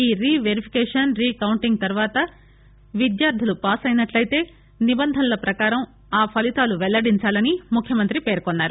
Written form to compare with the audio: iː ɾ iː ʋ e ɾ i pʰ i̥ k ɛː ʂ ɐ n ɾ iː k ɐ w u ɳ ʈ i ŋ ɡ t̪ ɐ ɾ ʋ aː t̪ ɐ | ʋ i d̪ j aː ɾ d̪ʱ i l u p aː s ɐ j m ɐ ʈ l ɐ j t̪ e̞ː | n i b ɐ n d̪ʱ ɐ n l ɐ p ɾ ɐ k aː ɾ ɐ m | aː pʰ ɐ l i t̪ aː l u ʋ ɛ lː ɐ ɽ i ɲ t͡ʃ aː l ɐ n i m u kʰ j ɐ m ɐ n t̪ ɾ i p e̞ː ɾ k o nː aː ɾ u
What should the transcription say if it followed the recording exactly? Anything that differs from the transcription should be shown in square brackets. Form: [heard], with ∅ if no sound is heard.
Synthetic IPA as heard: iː ɾ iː ʋ e ɾ i pʰ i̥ k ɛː ʂ ɐ n ɾ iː k ɐ w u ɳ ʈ i ŋ ɡ t̪ ɐ ɾ ʋ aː t̪ ɐ | ʋ i d̪ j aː ɾ d̪ʱ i l u p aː s ɐ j [n] ɐ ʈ l ɐ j t̪ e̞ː | n i b ɐ n d̪ʱ ɐ n l ɐ p ɾ ɐ k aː ɾ ɐ m | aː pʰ ɐ l i t̪ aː l u ʋ ɛ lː ɐ ɽ i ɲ t͡ʃ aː l ɐ n i m u kʰ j ɐ m ɐ n t̪ ɾ i p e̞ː ɾ k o nː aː ɾ u

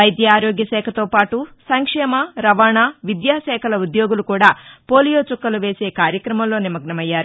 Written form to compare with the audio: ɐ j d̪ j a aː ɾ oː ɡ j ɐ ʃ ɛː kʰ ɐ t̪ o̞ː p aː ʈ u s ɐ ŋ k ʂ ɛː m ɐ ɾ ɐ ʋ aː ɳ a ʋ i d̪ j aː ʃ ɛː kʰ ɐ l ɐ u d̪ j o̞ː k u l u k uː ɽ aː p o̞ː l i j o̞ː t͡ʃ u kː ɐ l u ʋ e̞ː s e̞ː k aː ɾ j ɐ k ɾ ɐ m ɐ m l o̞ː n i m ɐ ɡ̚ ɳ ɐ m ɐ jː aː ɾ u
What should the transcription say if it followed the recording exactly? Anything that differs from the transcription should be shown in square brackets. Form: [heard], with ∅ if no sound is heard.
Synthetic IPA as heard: ɐ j d̪ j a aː ɾ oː ɡ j ɐ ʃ ɛː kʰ ɐ t̪ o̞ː p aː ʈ u s ɐ ŋ k ʂ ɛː m ɐ ɾ ɐ ʋ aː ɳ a ʋ i d̪ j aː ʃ ɛː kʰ ɐ l ɐ u d̪ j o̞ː [ɡ] u l u k uː ɽ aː p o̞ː l i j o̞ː t͡ʃ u kː ɐ l u ʋ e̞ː s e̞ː k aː ɾ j ɐ k ɾ ɐ m ɐ m l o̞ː n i m ɐ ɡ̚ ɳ ɐ m ɐ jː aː ɾ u

